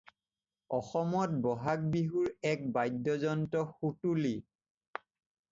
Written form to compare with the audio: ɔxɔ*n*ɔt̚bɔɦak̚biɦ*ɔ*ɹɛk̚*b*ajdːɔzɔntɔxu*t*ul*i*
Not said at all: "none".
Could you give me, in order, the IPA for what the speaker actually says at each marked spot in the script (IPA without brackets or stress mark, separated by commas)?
m, u, b, t, i